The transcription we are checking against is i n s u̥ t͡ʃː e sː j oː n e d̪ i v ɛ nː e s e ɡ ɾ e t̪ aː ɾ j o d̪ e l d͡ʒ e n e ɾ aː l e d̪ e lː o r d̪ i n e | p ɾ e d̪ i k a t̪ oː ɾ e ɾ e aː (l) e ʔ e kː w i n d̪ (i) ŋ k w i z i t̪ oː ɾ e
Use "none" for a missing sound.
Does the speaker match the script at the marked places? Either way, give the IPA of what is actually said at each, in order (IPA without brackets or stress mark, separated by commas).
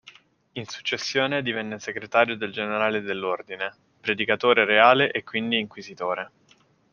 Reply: l, iː